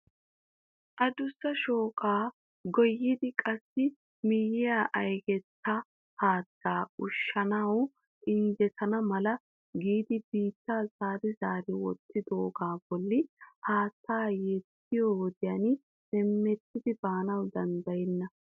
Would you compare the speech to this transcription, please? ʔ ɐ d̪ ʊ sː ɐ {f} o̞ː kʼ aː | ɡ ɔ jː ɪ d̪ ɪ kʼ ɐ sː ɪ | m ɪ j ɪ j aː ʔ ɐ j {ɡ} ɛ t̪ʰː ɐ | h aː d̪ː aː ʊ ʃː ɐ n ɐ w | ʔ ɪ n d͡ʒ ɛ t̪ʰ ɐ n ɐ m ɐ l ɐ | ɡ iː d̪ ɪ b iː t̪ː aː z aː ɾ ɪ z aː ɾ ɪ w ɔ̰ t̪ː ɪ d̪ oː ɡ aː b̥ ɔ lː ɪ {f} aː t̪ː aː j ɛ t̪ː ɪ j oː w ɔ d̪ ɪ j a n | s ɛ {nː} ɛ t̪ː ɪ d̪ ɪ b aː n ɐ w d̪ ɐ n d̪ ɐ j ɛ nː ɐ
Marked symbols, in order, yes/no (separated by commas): no, yes, no, no